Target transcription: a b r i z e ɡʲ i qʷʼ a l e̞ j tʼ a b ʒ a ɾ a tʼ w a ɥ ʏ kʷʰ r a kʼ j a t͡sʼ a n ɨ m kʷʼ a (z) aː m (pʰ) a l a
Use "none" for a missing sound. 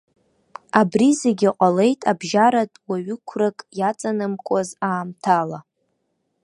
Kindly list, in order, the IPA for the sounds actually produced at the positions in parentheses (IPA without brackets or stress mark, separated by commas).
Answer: z, tʰ